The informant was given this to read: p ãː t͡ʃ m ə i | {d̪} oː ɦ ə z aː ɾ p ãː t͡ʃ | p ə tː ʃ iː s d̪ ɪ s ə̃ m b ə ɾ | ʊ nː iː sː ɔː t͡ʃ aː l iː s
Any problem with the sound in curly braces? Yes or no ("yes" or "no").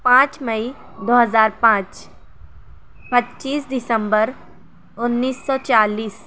no